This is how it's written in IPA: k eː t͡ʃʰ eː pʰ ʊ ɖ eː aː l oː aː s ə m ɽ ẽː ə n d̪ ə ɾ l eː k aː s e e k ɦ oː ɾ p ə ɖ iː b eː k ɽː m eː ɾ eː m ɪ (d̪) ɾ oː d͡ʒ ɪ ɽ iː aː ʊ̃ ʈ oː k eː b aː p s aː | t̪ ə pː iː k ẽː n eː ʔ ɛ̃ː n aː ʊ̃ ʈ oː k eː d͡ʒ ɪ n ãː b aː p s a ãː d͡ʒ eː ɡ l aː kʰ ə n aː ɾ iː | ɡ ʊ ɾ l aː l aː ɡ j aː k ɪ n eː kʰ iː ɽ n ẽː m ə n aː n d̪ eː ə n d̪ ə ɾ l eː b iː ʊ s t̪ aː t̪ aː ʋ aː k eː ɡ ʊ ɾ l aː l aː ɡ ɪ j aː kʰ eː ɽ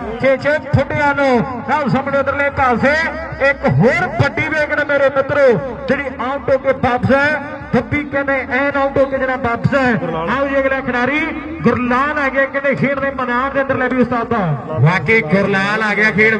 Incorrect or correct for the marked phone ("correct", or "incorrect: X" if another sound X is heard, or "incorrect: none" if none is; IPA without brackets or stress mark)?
incorrect: t̪